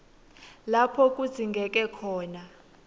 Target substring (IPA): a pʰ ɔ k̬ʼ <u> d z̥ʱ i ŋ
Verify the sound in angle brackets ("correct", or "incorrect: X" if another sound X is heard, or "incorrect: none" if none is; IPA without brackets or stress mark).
correct